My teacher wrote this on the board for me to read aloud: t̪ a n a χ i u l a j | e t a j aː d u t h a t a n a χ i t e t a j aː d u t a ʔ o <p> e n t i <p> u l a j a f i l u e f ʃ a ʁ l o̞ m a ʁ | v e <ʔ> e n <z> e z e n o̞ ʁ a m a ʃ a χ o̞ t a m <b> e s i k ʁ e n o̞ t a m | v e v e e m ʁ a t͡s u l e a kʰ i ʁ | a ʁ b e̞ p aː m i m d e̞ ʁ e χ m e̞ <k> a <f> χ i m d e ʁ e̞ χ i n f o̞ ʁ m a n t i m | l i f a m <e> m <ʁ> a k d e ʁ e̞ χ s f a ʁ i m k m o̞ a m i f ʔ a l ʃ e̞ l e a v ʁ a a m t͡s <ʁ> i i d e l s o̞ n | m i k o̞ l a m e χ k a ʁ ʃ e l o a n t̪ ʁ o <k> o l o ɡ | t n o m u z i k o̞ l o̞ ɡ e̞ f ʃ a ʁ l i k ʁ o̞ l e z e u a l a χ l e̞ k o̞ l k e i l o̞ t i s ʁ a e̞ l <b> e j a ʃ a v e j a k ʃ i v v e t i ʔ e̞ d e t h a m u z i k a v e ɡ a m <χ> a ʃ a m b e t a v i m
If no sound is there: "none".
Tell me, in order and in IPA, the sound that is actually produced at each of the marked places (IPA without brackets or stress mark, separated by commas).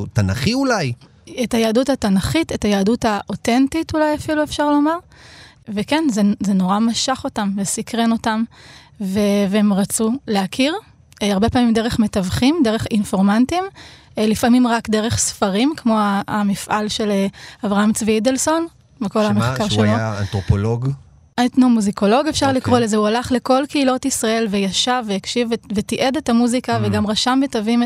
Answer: t, t, k, z, v, t, v, i, ʁ, v, p, v, ʁ